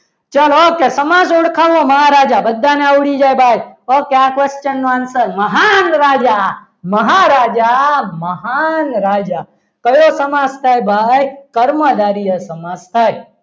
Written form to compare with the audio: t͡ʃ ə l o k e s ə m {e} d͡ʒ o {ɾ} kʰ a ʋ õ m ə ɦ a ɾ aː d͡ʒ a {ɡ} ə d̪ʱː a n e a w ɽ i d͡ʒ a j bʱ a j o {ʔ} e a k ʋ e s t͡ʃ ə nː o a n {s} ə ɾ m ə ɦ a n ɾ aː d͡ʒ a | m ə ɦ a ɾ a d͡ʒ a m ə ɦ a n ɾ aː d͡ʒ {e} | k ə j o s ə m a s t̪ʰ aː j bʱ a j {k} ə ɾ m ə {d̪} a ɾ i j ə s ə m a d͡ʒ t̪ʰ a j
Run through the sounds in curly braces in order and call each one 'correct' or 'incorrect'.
incorrect: a, incorrect: ɽ, incorrect: b, incorrect: k, correct, incorrect: a, correct, correct

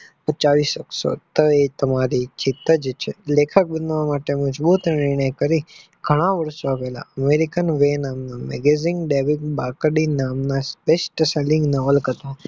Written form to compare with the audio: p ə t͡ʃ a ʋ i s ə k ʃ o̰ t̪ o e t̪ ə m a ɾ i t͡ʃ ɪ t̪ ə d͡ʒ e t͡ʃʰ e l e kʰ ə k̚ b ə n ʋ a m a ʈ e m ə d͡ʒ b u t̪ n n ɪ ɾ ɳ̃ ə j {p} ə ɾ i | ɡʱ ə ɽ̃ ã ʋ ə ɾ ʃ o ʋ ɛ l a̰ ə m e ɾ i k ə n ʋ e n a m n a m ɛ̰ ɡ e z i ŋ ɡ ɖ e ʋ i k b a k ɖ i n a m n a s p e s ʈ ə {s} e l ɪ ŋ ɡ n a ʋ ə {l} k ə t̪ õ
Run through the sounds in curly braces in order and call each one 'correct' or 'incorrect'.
incorrect: k, correct, correct

